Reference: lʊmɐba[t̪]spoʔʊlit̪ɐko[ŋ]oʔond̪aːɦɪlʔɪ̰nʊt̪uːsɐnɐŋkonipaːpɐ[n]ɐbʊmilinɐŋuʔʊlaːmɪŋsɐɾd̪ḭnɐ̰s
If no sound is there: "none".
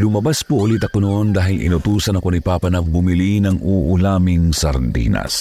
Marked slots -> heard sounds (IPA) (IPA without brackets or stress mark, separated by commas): none, n, n